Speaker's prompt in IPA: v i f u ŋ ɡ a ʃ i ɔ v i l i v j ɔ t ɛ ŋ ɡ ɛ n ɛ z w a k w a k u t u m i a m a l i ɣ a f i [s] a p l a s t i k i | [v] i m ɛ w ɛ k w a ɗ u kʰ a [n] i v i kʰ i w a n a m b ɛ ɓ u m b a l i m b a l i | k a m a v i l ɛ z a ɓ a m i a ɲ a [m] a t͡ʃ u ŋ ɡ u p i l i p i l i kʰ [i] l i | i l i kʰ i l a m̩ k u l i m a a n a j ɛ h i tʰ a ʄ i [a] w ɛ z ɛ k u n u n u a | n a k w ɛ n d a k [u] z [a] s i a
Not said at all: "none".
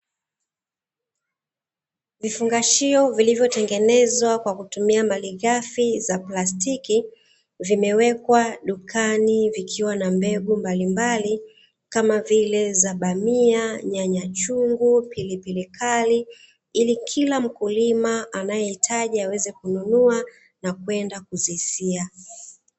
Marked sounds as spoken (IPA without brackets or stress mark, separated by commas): z, v, n, ɲ, a, a, u, i